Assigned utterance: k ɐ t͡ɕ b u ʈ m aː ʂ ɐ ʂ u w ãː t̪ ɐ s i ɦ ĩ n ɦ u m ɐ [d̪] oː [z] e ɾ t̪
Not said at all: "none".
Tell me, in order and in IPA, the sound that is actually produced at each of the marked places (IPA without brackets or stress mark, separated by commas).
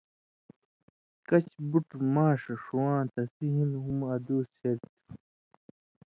d̪, s